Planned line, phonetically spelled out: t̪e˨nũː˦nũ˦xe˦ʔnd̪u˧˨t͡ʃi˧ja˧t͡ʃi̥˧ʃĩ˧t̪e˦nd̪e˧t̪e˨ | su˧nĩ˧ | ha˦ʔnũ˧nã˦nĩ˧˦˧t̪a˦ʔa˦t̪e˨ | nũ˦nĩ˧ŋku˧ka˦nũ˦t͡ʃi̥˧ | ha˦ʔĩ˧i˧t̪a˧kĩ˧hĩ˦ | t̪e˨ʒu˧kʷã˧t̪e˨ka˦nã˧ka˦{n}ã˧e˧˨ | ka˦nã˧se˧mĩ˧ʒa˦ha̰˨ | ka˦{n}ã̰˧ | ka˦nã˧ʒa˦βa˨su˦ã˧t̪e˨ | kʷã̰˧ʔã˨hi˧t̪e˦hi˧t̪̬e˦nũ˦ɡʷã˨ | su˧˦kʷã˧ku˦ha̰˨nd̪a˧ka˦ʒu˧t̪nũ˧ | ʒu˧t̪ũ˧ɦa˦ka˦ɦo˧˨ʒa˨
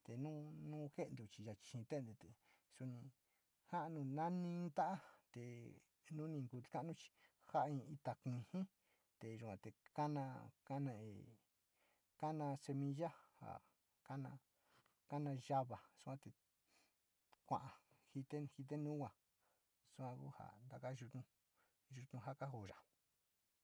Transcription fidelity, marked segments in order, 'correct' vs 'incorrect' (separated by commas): correct, correct